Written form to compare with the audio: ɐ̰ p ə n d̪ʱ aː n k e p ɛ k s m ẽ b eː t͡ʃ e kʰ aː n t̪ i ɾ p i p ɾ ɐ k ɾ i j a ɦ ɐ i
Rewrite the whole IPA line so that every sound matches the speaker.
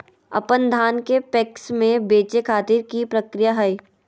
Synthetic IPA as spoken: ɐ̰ p ə n d̪ʱ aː n k e p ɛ k s m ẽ b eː t͡ʃ e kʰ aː t̪ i ɾ k i p ɾ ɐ k ɾ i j a ɦ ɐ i